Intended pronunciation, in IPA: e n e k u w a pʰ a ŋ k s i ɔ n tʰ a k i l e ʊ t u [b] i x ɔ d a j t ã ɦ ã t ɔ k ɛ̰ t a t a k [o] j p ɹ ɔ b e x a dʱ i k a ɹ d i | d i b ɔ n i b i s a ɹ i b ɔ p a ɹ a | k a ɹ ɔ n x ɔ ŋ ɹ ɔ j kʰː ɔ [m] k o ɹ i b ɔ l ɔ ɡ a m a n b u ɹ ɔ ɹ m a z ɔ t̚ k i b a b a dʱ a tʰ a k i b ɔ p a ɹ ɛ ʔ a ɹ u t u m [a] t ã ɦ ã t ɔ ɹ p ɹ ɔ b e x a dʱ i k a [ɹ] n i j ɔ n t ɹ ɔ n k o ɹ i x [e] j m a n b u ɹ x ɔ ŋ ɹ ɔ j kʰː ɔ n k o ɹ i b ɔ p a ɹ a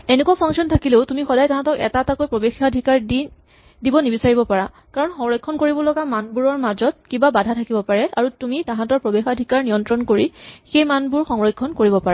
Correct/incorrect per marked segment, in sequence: incorrect, correct, incorrect, incorrect, correct, correct

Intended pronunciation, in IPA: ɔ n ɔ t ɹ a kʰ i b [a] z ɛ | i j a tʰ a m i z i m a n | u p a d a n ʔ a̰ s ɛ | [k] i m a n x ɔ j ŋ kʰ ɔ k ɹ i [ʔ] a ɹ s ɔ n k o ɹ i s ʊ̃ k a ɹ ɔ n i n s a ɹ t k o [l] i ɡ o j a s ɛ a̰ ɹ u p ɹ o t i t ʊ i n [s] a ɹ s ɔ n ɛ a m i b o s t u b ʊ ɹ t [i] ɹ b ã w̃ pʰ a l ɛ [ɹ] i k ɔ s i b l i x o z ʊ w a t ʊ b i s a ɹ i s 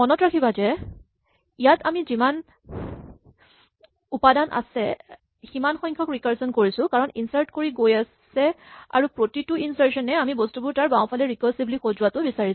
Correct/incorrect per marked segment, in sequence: correct, incorrect, incorrect, incorrect, correct, incorrect, correct

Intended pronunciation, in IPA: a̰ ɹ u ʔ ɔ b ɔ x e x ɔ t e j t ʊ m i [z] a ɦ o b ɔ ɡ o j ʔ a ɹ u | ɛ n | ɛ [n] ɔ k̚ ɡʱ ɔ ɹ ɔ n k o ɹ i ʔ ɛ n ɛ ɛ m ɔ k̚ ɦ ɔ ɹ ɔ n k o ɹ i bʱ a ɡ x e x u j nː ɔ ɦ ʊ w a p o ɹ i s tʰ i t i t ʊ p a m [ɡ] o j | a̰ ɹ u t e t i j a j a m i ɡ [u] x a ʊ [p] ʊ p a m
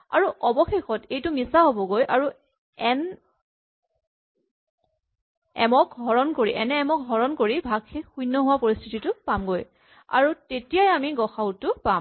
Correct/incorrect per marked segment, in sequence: incorrect, incorrect, correct, incorrect, incorrect

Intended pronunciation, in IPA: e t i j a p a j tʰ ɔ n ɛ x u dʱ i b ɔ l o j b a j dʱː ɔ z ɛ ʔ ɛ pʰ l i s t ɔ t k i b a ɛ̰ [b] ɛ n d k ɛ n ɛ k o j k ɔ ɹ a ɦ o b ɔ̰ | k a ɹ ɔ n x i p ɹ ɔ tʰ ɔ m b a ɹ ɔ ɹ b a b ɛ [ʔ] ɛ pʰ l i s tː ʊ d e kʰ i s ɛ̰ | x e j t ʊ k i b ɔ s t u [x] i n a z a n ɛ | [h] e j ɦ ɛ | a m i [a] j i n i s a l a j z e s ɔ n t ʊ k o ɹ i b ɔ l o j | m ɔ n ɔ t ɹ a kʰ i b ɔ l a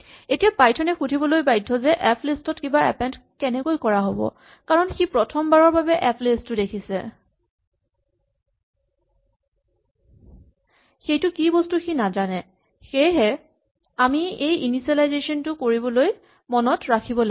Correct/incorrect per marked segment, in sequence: incorrect, correct, correct, incorrect, incorrect

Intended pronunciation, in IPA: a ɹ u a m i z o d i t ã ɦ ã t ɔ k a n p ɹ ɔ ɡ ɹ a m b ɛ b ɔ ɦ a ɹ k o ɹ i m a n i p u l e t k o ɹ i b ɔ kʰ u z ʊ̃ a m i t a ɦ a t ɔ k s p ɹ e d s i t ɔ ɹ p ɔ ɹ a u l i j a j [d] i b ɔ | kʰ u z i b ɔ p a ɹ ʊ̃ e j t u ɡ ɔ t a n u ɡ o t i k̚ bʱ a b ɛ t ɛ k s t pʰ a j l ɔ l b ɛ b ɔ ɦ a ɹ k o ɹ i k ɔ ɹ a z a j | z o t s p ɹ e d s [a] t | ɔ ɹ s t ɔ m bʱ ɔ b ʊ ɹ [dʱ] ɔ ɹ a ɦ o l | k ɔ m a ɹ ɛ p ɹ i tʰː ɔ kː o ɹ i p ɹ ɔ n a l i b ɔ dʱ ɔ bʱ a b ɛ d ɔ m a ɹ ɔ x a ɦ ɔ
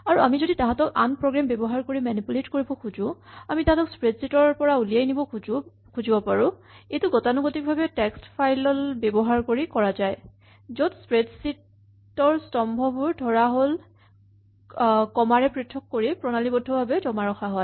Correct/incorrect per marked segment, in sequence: incorrect, incorrect, correct

